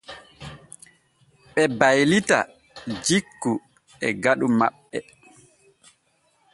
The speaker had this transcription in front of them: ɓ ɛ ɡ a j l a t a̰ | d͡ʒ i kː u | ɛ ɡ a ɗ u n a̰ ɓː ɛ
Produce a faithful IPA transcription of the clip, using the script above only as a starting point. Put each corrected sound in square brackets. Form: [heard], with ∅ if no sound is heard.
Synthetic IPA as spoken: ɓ ɛ [b] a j l [i] t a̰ | d͡ʒ i kː u | ɛ ɡ a ɗ u [m] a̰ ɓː ɛ